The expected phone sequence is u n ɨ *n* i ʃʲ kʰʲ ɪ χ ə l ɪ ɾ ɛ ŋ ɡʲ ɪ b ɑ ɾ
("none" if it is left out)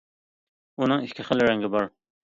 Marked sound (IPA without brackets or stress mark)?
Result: ŋ